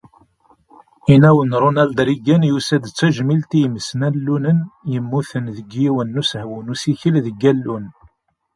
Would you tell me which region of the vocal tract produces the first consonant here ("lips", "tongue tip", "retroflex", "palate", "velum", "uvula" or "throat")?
tongue tip